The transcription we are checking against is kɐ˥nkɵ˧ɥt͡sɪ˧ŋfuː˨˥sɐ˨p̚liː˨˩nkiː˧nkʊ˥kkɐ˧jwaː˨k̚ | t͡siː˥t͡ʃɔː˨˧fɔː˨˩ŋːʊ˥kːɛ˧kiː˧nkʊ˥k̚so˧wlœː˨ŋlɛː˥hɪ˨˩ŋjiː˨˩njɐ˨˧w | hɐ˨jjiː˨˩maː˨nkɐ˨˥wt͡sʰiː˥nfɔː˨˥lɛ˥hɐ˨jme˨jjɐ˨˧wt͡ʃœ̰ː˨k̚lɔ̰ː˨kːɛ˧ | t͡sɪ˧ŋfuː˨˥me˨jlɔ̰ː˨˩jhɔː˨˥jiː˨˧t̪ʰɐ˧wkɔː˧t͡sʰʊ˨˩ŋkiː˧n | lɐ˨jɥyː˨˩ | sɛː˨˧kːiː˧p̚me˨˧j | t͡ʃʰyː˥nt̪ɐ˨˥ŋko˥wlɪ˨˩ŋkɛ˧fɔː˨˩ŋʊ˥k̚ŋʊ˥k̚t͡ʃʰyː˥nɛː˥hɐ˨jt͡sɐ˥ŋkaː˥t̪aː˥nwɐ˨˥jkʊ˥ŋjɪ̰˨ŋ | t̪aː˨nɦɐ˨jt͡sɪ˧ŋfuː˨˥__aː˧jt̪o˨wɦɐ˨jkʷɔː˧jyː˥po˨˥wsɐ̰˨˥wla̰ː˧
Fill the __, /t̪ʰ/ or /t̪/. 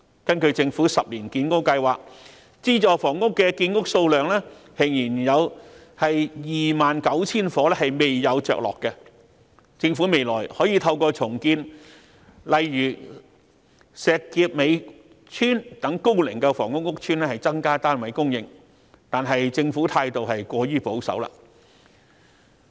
t̪ʰ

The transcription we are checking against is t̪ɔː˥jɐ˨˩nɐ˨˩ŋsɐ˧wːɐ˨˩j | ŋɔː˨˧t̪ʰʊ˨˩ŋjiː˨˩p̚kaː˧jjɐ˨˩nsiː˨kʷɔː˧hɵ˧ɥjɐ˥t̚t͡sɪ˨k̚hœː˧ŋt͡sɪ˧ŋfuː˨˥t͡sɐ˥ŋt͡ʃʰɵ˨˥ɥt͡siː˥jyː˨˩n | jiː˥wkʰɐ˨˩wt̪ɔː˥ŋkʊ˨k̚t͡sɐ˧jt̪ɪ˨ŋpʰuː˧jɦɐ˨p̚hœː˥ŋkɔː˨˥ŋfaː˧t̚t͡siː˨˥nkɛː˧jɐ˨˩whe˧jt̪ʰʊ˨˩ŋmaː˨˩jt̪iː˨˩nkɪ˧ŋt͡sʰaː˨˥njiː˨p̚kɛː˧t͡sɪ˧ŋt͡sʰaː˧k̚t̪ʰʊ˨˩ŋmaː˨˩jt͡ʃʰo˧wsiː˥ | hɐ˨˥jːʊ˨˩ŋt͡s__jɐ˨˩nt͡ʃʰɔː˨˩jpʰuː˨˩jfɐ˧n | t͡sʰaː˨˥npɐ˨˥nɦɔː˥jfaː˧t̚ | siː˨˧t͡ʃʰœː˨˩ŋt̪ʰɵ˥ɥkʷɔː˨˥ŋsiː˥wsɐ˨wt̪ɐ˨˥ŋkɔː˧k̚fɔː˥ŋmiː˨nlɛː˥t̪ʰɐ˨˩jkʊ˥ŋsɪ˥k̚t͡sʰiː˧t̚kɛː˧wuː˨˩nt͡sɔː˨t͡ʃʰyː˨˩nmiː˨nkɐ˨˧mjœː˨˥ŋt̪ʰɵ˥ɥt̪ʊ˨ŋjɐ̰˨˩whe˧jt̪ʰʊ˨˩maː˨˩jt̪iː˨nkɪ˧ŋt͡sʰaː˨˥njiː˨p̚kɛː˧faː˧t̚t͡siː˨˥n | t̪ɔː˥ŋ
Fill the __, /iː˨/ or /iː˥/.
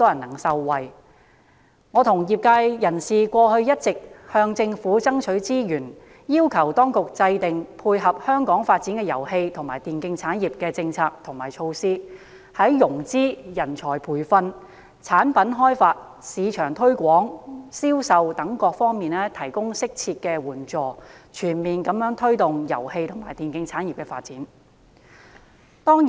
iː˥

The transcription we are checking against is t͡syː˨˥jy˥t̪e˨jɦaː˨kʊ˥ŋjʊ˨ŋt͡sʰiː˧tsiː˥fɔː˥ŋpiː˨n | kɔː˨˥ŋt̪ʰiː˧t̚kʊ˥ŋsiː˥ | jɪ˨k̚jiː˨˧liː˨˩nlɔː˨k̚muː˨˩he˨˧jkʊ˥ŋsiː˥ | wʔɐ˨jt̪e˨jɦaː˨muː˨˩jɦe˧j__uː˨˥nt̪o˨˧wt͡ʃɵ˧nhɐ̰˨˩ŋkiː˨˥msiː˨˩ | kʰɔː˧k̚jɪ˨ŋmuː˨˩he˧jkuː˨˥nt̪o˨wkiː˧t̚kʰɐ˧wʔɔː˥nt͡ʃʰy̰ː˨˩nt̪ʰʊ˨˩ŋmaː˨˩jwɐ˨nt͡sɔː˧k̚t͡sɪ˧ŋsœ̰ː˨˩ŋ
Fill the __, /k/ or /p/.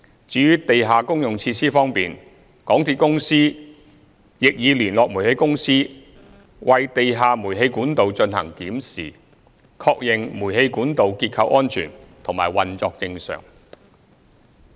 k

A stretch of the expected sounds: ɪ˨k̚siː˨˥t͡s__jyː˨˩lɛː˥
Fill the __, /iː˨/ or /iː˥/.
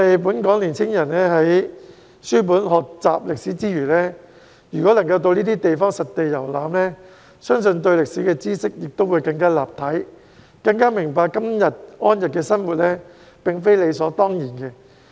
iː˥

